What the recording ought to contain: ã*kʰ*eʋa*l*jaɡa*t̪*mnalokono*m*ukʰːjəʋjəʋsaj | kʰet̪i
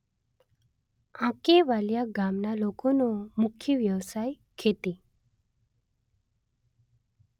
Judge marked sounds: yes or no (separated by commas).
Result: no, yes, no, yes